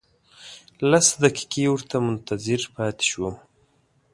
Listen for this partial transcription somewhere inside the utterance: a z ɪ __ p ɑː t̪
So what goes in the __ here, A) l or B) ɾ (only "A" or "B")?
B